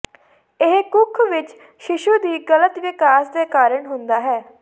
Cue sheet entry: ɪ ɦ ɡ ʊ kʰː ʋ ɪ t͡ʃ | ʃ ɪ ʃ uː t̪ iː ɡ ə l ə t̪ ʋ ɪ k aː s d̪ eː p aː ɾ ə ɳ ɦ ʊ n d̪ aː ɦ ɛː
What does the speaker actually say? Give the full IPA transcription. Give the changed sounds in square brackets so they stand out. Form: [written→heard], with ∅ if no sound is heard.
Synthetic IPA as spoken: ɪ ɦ [ɡ→k] ʊ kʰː ʋ ɪ t͡ʃ | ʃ ɪ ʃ uː [t̪→d̪] iː ɡ ə l ə t̪ ʋ ɪ k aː s d̪ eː [p→k] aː ɾ ə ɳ ɦ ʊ n d̪ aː ɦ ɛː